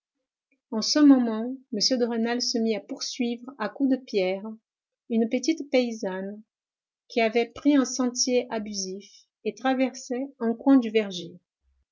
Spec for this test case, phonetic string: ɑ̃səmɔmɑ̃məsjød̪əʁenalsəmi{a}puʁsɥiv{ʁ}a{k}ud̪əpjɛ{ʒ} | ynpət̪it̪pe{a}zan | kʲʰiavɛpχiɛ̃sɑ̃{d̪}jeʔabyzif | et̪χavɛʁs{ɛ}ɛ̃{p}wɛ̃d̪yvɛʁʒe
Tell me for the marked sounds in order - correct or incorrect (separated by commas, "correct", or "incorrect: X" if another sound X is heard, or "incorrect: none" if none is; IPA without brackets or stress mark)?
correct, correct, correct, incorrect: ʁ, incorrect: i, incorrect: t̪, correct, incorrect: k